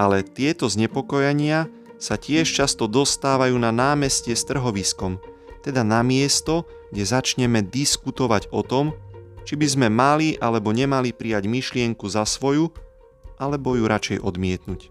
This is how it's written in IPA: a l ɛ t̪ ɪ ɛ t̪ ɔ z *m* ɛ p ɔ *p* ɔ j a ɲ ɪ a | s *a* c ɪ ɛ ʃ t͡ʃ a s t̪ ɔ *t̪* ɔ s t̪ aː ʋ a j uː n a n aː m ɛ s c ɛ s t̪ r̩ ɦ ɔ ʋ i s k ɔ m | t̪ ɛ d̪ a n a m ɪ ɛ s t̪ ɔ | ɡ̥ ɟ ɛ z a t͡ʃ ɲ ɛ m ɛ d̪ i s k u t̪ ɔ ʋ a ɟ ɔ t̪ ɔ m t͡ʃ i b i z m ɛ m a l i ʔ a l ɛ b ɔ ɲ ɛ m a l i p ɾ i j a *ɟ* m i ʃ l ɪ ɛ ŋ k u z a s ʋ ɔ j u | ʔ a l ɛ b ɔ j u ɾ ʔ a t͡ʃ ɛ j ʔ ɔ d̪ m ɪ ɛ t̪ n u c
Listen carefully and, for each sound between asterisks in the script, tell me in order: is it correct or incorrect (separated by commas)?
incorrect, incorrect, correct, incorrect, correct